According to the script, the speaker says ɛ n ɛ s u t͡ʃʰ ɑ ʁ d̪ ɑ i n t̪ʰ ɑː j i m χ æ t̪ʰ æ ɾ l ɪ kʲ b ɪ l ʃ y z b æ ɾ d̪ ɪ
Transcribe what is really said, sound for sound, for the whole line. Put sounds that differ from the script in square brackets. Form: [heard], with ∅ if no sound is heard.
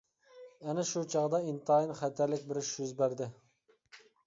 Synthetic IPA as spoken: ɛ n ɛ [ʃ] u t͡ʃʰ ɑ ʁ d̪ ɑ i n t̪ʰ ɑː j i [n] χ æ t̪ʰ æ ɾ l ɪ kʲ b ɪ [ɾ] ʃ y z b æ ɾ d̪ ɪ